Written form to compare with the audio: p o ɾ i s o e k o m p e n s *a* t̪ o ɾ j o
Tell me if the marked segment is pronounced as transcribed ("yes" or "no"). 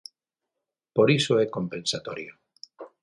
yes